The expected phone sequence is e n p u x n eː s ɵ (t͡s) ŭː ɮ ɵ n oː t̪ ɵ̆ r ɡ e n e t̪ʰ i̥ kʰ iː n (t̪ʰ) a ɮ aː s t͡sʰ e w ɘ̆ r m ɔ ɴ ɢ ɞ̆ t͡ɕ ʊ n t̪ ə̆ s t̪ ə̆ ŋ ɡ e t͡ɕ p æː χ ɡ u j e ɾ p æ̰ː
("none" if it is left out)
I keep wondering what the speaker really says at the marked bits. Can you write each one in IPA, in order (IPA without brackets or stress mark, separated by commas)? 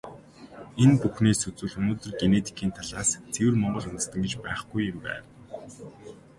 t͡s, t̪ʰ